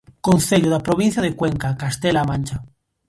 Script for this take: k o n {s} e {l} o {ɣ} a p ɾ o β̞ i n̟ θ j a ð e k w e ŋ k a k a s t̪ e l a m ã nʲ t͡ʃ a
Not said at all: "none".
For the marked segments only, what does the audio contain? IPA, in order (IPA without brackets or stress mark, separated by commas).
θ, ʎ, ð